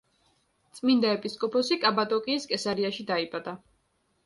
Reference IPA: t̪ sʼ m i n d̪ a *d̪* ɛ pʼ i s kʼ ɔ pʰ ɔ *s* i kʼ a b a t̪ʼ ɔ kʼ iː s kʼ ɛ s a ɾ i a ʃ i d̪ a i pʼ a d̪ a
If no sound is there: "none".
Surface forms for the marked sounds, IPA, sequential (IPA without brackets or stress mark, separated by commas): none, s